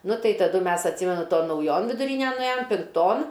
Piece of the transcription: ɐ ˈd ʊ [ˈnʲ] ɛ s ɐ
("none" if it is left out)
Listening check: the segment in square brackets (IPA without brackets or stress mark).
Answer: mʲ